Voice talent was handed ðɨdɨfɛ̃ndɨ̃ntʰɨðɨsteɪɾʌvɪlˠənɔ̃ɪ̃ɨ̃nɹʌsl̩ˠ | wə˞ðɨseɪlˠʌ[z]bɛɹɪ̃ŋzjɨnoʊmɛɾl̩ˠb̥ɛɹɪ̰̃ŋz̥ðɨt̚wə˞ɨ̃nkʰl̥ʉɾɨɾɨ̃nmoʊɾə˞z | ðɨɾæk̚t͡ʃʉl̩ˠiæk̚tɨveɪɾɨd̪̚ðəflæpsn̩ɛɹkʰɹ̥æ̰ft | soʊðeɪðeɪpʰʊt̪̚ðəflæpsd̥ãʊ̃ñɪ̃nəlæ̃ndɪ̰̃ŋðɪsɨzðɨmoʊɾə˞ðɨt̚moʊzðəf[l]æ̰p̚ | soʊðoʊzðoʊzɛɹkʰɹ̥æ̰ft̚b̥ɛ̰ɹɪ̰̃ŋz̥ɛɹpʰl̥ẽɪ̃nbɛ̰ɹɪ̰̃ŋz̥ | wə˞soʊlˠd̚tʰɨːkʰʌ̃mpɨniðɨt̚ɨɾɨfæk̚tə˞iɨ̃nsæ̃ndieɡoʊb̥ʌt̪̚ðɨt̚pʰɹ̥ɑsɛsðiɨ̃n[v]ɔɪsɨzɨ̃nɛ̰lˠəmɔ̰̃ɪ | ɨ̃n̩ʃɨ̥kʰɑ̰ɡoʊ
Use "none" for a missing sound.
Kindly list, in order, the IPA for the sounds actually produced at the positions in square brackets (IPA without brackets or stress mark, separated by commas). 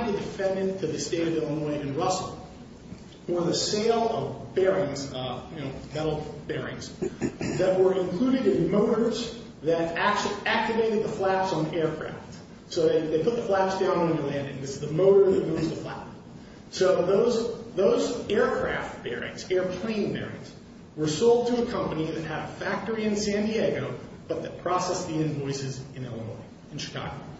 v, l, v